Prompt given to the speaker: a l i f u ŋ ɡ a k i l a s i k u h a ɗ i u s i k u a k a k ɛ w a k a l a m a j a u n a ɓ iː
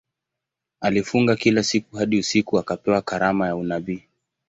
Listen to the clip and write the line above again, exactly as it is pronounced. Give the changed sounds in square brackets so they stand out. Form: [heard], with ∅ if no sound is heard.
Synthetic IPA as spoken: a l i f u ŋ ɡ a k i l a s i k u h a ɗ i u s i k u a k a [p] ɛ w a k a [ɾ] a m a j a u n a ɓ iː

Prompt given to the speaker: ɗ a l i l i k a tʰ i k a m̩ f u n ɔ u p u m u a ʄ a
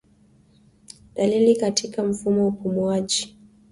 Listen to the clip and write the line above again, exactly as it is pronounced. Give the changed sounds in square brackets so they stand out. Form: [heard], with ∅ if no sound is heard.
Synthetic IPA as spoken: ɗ a l i l i k a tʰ i k a m̩ f u [m] ɔ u p u m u a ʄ [i]

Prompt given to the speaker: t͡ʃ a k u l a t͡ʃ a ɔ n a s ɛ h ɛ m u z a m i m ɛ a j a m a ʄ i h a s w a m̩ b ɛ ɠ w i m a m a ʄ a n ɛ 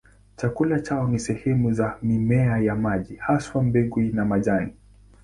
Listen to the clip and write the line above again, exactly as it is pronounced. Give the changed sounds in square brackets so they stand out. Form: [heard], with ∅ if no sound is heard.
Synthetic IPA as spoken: t͡ʃ a k u l a t͡ʃ a ɔ n [i] s ɛ h ɛ m u z a m i m ɛ a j a m a ʄ i h a s w a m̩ b ɛ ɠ w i [n] a m a ʄ a n [i]

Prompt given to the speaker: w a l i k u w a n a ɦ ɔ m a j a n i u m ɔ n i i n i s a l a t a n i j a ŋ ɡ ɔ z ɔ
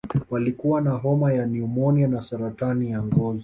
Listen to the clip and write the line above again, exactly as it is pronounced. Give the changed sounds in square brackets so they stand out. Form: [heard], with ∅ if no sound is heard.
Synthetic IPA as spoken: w a l i k u w a n a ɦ ɔ m a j a n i u m ɔ n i [a] n [a] s a [ɾ] a t a n i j a ŋ ɡ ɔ z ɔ

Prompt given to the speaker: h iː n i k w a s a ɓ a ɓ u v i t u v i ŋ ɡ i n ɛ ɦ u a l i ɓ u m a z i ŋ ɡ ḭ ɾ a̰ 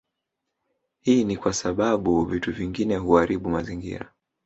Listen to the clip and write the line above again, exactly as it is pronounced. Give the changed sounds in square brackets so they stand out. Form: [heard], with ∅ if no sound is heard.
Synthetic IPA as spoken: h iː n i k w a s a ɓ a ɓ u v i t u v i ŋ ɡ i n ɛ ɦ u a [ɾ] i ɓ u m a z i ŋ ɡ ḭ ɾ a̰

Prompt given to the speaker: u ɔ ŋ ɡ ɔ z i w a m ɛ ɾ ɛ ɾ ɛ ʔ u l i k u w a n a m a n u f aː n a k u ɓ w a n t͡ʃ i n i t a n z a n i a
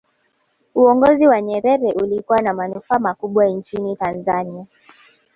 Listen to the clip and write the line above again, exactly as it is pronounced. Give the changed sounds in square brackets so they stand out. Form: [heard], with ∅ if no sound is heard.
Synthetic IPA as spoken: u ɔ ŋ ɡ ɔ z i w a [ɲ] ɛ ɾ ɛ ɾ ɛ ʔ u l i k u w a n a m a n u f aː [m] a k u ɓ w a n t͡ʃ i n i t a n z a n i a

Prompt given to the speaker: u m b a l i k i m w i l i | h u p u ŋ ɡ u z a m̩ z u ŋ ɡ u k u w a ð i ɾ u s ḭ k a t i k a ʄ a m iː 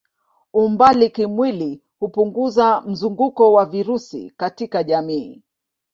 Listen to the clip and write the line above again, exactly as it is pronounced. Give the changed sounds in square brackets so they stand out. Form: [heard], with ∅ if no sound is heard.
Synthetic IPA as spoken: u m b a l i k i m w i l i | h u p u ŋ ɡ u z a m̩ z u ŋ ɡ u k [ɔ] w a [v] i ɾ u s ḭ k a t i k a ʄ a m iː

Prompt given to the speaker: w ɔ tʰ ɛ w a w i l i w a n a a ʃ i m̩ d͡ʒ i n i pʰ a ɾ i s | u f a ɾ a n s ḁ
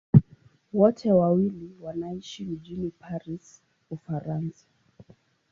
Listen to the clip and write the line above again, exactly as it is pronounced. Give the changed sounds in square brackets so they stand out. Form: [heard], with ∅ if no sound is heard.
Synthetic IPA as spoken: w ɔ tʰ ɛ w a w i l i w a n a [i] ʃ i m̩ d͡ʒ i n i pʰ a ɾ i s | u f a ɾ a n s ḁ

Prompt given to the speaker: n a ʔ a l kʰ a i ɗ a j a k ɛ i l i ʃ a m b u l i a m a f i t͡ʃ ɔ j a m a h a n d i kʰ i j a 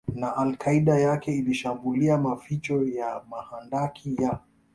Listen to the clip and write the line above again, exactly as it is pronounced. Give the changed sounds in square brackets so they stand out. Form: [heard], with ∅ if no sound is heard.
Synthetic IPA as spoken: n a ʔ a l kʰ a i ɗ a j a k ɛ i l i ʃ a m b u l i a m a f i t͡ʃ ɔ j a m a h a n d [a] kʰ i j a

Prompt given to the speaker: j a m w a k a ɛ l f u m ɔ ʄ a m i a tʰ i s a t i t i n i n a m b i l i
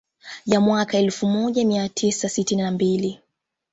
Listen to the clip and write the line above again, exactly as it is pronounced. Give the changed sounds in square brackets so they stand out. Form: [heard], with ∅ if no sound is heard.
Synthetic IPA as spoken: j a m w a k a ɛ l f u m ɔ ʄ a m i a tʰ i s a [s] i t i n i n a m b i l i

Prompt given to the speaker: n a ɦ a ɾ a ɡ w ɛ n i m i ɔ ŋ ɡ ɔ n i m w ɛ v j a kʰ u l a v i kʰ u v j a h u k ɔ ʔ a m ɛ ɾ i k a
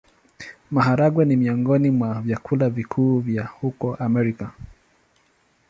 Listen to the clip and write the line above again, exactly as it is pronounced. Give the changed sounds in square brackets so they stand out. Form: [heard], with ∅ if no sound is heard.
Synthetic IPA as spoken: [m] a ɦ a ɾ a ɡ w ɛ n i m i ɔ ŋ ɡ ɔ n i m w [a] v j a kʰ u l a v i kʰ [uː] v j a h u k ɔ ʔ a m ɛ ɾ i k a

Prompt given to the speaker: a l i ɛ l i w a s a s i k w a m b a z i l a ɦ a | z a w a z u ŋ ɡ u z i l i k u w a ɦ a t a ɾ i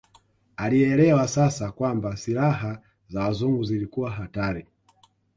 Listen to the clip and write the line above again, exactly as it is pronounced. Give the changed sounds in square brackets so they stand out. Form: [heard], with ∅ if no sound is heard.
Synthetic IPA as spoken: a l i ɛ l [ɛ] w a s a s [a] k w a m b a [s] i l a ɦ a | z a w a z u ŋ ɡ u z i l i k u w a ɦ a t a ɾ i

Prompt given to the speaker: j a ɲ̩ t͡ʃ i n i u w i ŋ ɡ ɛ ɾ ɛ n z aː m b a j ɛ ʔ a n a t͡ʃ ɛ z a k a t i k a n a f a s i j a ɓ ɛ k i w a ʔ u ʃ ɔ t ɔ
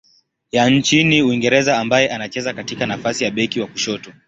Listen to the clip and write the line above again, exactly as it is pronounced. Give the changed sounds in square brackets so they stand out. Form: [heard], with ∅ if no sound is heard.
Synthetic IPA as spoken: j a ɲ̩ t͡ʃ i n i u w i ŋ ɡ ɛ ɾ ɛ [∅] z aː m b a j ɛ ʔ a n a t͡ʃ ɛ z a k a t i k a n a f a s i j a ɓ ɛ k i w a [k] u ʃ ɔ t ɔ

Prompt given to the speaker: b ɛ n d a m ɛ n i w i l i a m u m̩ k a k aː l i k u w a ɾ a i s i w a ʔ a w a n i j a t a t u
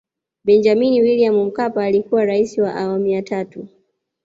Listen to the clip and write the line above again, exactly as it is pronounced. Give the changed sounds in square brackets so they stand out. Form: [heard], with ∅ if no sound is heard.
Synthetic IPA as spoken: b ɛ n [d͡ʒ] a m [i] n i w i l i a m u m̩ k a [p] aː l i k u w a ɾ a i s i w a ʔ a w a [m] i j a t a t u

